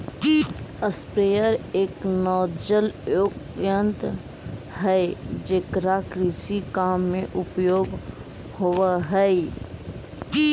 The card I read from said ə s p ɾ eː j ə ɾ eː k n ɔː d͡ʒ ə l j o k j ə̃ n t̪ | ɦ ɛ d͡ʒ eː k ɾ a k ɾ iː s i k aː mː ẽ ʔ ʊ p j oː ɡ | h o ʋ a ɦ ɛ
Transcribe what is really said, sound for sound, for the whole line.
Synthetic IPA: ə s p ɾ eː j ə ɾ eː k n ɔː d͡ʒ ə l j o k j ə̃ n t̪ | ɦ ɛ d͡ʒ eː k ɾ a k ɾ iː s i k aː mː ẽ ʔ ʊ p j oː ɡ | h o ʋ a ɦ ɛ